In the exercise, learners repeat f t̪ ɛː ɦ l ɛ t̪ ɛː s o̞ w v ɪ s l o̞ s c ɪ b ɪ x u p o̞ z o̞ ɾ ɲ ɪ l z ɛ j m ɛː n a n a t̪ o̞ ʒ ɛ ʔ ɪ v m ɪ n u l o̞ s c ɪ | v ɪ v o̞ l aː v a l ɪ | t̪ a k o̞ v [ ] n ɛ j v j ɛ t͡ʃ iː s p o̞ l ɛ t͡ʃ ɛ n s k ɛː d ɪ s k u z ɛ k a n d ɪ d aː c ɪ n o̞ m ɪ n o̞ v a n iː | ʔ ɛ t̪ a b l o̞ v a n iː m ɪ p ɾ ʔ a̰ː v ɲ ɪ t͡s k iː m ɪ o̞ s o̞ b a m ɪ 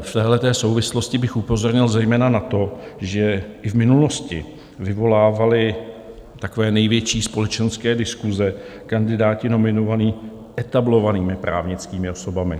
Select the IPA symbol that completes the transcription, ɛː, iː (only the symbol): ɛː